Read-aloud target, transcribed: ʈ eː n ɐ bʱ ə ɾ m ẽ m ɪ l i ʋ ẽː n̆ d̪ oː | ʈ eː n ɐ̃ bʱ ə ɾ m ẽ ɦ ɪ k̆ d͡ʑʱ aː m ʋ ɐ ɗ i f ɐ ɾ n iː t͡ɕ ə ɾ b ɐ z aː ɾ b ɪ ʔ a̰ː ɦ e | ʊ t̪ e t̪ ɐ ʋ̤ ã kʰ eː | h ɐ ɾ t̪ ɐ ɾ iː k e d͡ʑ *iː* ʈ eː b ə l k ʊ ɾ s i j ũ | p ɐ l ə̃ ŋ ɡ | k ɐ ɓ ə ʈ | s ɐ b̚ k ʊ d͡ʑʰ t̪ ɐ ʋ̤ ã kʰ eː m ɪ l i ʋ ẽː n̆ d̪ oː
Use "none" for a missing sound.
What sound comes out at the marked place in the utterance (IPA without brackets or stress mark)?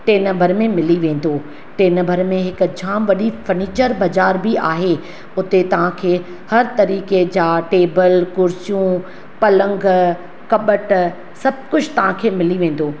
aː